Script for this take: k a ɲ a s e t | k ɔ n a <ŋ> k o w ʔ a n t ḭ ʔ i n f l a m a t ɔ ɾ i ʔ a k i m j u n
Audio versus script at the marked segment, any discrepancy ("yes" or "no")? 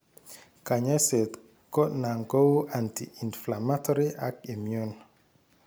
no